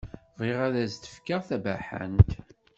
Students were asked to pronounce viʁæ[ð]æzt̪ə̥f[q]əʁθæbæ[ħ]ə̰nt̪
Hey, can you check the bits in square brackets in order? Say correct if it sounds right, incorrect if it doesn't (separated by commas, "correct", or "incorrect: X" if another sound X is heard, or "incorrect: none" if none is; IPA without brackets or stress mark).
correct, incorrect: k, correct